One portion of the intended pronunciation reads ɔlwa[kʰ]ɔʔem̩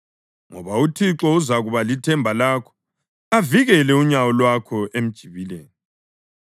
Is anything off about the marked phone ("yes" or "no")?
no